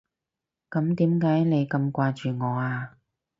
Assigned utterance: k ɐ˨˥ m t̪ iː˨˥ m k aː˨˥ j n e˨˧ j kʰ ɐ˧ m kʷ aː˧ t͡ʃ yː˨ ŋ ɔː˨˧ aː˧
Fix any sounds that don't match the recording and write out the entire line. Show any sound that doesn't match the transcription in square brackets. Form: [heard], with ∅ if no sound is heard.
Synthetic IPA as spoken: k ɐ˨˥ m t̪ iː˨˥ m k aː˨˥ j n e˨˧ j [k] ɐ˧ m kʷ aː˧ t͡ʃ yː˨ ŋ ɔː˨˧ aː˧